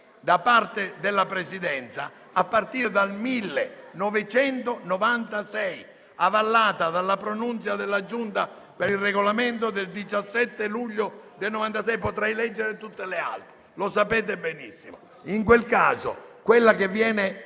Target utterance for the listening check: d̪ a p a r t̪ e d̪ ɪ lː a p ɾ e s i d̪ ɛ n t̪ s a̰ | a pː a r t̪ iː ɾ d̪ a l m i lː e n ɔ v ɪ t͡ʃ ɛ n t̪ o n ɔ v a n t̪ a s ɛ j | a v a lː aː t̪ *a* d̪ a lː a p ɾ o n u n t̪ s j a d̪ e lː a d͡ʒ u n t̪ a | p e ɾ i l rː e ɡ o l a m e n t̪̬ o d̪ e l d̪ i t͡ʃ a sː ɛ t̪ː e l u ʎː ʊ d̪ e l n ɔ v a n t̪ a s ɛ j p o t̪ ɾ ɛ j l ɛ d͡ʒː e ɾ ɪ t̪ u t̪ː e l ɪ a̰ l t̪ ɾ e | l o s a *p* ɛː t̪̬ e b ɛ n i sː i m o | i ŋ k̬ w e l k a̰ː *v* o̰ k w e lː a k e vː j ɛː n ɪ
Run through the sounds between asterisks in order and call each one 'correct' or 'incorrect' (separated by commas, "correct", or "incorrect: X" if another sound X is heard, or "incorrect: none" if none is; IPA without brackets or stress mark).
correct, correct, incorrect: z